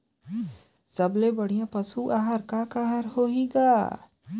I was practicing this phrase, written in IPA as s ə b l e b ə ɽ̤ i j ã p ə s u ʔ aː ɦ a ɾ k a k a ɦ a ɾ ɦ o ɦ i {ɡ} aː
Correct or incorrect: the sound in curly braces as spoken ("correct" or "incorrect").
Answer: correct